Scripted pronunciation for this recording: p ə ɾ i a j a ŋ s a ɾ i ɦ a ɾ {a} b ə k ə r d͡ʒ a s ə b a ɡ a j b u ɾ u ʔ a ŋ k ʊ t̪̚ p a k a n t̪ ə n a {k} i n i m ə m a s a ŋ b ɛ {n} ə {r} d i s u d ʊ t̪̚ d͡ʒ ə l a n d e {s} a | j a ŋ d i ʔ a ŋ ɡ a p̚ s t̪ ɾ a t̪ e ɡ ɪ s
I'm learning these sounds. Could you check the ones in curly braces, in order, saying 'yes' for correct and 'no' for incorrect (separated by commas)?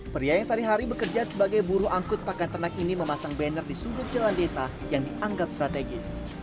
no, yes, yes, yes, yes